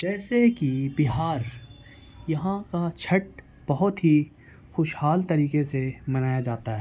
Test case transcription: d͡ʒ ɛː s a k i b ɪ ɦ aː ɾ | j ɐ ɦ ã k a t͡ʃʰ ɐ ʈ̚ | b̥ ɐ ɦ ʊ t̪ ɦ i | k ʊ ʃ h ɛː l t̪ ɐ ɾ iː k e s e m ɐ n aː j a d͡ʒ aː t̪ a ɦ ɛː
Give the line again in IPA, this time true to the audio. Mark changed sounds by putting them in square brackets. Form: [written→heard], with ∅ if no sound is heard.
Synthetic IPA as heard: d͡ʒ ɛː s [a→e] k i b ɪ ɦ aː ɾ | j ɐ ɦ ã k a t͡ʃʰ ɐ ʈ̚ | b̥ ɐ ɦ ʊ t̪ ɦ i | [k→x] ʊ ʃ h [ɛː→aː] l t̪ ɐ ɾ iː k e s e m ɐ n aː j a d͡ʒ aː t̪ a ɦ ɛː